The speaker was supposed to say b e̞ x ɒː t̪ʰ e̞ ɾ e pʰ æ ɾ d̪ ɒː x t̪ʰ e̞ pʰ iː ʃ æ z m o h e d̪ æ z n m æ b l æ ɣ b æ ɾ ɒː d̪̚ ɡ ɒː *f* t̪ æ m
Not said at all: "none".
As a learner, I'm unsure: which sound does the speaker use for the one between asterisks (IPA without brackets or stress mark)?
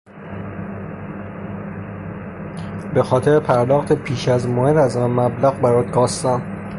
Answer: s